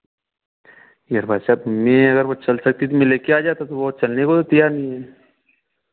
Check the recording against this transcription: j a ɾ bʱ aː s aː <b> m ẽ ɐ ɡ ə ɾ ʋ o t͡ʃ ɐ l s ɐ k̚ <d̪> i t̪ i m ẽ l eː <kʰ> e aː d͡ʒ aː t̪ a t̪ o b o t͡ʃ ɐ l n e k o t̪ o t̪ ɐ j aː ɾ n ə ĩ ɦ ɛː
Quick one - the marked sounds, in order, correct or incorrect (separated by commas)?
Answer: correct, incorrect, incorrect